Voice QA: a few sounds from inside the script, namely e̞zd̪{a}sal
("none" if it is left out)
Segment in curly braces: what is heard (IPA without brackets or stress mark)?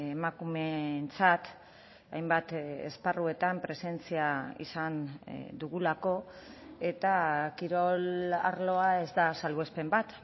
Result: a